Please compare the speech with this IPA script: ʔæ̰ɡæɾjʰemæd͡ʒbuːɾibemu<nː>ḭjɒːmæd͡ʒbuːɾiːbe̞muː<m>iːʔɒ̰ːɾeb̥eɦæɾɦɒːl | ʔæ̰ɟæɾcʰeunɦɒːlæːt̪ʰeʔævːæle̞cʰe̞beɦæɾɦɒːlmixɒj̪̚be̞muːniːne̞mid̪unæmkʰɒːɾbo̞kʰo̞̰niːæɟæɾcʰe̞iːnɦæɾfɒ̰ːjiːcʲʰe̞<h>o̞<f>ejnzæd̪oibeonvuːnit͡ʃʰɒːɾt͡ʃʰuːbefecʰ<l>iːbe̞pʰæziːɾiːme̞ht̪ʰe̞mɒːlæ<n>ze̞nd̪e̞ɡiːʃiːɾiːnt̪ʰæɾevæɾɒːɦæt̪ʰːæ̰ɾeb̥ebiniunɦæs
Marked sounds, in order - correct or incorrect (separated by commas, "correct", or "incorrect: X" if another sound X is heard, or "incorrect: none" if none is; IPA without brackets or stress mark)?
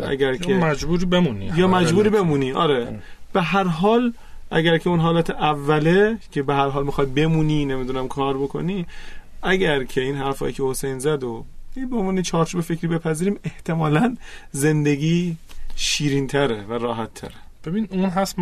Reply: incorrect: n, incorrect: n, correct, incorrect: s, incorrect: ɾ, correct